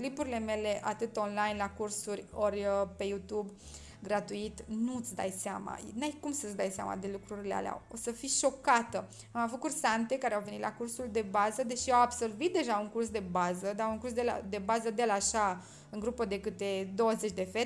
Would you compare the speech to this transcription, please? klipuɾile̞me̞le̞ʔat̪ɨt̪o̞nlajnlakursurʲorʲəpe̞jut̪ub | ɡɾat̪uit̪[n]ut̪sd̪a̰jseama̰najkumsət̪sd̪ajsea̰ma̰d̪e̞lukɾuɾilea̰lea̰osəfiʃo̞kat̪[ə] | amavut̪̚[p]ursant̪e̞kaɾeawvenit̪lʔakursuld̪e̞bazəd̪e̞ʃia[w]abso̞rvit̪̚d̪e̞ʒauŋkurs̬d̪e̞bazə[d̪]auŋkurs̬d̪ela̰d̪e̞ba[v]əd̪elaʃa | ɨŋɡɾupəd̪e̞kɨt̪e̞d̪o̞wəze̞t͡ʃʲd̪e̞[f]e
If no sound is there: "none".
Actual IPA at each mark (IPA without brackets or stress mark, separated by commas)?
n, ə, k, w, d̪, z, f